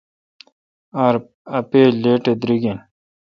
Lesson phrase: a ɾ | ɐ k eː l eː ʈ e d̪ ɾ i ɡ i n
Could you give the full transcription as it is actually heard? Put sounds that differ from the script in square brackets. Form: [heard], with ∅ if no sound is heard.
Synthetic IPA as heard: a ɾ | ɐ [p] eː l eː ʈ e d̪ ɾ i ɡ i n